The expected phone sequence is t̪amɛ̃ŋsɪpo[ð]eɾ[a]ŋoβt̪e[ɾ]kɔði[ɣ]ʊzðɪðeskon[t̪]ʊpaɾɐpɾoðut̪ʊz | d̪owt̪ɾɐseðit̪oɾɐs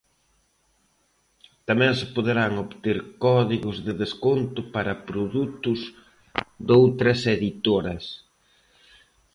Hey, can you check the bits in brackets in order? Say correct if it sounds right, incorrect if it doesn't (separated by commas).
correct, correct, correct, correct, correct